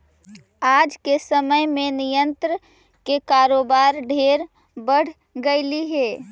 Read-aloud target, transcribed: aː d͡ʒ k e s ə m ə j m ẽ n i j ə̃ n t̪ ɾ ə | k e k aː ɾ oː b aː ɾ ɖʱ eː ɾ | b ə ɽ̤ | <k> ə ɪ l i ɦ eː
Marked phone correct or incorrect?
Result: incorrect